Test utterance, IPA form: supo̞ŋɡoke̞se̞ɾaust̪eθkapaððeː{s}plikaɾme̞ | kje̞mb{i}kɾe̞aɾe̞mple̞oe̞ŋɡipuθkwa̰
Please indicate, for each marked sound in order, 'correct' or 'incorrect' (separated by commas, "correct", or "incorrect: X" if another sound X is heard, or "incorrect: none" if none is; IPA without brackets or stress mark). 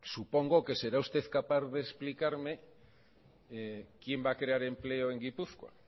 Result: correct, incorrect: a